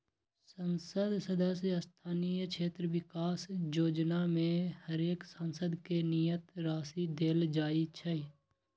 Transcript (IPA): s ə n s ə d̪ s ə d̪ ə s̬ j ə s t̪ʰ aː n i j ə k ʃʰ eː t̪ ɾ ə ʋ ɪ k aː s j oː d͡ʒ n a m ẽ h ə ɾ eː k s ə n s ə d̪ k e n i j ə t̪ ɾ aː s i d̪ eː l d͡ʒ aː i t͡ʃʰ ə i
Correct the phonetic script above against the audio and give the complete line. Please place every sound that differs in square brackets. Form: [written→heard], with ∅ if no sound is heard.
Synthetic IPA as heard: s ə n s ə d̪ s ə d̪ ə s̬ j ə s t̪ʰ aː n i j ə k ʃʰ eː t̪ ɾ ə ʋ ɪ k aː s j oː d͡ʒ n a m ẽ h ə ɾ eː k s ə n s ə d̪ k e n i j ə t̪ ɾ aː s i d̪ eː l d͡ʒ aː i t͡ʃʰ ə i